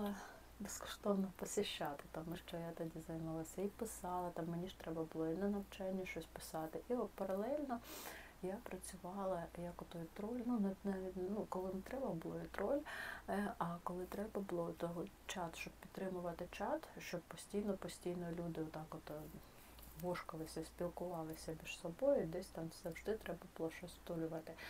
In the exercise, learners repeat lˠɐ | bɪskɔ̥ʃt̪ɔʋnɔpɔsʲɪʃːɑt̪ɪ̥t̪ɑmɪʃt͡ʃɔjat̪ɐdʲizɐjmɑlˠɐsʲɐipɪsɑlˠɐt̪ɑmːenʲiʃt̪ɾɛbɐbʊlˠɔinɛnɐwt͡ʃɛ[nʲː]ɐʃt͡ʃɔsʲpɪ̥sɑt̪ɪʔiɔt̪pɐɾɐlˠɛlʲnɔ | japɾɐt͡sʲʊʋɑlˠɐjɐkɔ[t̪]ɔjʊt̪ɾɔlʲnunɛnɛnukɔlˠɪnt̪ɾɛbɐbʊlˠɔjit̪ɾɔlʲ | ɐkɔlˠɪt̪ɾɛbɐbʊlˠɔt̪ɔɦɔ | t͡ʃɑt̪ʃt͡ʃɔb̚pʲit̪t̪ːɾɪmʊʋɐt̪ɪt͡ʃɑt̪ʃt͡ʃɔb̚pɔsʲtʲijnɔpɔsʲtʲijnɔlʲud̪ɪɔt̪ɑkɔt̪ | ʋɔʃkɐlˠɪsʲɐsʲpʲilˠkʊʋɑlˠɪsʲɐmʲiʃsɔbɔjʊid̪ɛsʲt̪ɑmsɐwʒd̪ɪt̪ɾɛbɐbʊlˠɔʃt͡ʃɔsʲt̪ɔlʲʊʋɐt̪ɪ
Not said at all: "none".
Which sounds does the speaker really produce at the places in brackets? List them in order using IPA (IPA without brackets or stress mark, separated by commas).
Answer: nʲː, t̪